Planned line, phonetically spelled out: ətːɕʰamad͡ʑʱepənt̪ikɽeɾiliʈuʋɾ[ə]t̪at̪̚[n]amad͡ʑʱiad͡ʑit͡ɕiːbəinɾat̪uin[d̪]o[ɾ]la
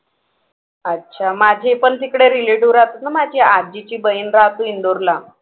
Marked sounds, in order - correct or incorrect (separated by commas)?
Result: incorrect, correct, correct, correct